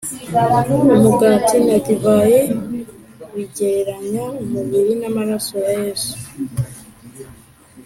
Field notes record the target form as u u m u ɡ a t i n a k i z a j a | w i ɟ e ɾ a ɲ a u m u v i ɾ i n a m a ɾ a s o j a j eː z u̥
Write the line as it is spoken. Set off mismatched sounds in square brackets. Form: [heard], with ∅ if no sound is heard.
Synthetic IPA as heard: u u m u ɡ a t i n a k i [v] a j [e] | w i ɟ e ɾ a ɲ a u m u [β] i ɾ i n a m a ɾ a s o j a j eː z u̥